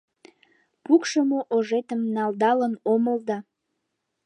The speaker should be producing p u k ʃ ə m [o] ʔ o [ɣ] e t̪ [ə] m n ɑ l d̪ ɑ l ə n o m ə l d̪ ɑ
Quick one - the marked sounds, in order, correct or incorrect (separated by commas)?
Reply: correct, incorrect, correct